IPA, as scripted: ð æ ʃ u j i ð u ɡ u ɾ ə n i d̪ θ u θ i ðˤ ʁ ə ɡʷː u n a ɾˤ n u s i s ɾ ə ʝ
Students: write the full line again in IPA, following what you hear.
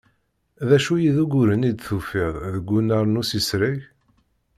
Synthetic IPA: ð æ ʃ u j i ð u ɡ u ɾ ə n i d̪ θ u f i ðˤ ð ə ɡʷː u n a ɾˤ n u s i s ɾ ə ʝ

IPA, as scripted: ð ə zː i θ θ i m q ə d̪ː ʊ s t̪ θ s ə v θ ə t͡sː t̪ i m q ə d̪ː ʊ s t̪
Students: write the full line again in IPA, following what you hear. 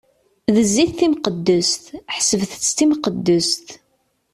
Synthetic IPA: ð ə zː i θ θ i m q ə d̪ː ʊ s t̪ ħ s ə v θ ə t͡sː t̪ i m q ə d̪ː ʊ s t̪

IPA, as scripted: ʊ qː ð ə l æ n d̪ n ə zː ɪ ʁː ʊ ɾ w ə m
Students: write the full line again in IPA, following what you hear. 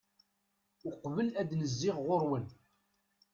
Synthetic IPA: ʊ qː v ə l æ d̪ n ə zː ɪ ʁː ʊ ɾ w ə n

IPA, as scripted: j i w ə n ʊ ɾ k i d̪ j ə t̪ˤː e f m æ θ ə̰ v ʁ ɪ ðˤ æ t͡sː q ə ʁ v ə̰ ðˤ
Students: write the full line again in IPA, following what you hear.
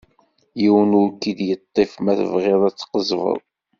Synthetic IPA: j i w ə n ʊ ɾ k i d̪ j ə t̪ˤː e f m æ θ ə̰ v ʁ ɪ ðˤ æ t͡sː q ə z v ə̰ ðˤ

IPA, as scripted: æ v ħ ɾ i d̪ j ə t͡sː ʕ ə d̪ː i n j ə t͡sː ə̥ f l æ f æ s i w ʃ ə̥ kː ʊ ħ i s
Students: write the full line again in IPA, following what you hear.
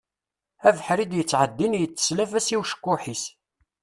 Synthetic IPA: æ v ħ ɾ i d̪ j ə t͡sː ʕ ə d̪ː i n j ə t͡sː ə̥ s l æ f æ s i w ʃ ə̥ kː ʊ ħ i s

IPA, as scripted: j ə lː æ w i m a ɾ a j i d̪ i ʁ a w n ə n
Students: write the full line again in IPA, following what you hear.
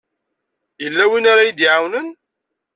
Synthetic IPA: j ə lː æ w i n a ɾ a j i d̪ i ʕ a w n ə n

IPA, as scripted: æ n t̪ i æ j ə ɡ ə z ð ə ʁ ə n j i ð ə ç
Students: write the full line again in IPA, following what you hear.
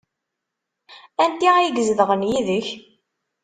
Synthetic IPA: æ n t̪ i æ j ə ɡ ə z ð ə ʁ ə n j i ð ə ç

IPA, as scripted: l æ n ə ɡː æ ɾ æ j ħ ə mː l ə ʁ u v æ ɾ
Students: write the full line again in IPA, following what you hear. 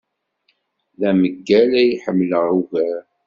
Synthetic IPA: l æ m ə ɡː æ l æ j ħ ə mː l ə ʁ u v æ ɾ

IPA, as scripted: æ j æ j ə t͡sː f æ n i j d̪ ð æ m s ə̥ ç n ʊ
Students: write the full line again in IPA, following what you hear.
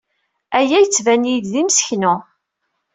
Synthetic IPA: æ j æ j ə t͡sː v æ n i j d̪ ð i m s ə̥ ç n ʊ

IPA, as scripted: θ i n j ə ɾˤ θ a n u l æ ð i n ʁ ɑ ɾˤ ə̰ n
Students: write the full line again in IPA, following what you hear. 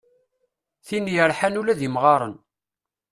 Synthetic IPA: θ i n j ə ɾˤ ħ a n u l æ ð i m ʁ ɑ ɾˤ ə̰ n

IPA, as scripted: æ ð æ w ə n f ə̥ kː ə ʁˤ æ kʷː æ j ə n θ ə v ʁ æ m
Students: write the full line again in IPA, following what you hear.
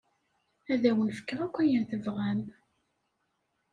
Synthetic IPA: æ ð æ w ə n f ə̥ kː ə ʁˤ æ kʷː æ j ə n θ ə v ʁ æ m

